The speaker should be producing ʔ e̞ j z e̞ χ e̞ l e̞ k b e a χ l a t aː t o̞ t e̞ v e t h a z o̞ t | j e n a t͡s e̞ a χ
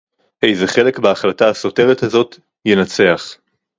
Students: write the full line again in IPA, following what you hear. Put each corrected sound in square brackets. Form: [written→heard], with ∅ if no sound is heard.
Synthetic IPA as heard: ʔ e̞ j z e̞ χ e̞ l e̞ k b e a χ l a t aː [t→s] o̞ t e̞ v e t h a z o̞ t | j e n a t͡s e̞ a χ